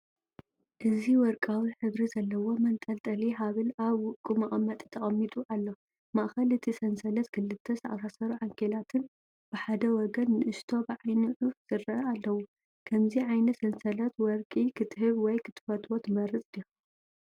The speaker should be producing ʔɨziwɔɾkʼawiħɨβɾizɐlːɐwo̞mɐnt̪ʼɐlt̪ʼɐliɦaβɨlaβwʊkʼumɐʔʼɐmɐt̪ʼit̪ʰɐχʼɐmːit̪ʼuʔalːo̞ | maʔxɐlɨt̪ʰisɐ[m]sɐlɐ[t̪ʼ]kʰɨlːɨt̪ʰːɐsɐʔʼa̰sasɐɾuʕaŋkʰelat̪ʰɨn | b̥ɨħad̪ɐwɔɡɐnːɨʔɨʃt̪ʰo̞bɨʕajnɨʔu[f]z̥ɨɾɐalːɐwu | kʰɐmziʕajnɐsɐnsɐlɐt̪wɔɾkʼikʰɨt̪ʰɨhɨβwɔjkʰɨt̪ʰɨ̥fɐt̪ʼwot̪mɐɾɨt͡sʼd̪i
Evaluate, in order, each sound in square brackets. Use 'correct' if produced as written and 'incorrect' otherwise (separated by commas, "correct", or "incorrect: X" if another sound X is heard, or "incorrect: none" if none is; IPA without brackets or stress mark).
incorrect: n, incorrect: t̪, correct